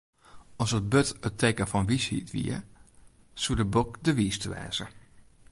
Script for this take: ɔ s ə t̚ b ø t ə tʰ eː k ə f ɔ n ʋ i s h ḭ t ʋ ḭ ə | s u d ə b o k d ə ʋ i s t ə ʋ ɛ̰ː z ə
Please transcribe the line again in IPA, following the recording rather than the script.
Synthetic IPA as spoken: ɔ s ə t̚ b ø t ə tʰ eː k ə f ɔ n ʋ i s h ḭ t ʋ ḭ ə | s u d ə b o k d ə ʋ i s t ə ʋ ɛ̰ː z ə